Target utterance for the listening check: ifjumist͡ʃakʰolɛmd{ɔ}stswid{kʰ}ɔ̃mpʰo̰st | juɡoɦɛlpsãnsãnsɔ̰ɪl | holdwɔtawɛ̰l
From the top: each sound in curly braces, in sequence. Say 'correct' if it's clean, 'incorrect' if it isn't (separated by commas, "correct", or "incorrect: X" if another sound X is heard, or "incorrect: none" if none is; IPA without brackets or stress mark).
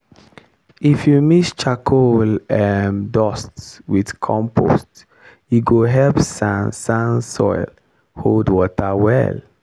correct, correct